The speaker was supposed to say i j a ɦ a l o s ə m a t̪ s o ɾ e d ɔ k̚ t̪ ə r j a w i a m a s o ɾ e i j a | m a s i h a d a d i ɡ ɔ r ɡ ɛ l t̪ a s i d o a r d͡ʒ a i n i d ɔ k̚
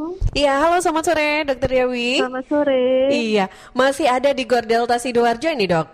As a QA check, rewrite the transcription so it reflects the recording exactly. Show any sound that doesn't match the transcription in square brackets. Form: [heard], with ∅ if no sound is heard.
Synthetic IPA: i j a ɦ a l o s [a] m a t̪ s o ɾ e d ɔ k̚ t̪ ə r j a w i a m a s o ɾ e i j a | m a s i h a d a d i ɡ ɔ r [d] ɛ l t̪ a s i d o a r d͡ʒ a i n i d ɔ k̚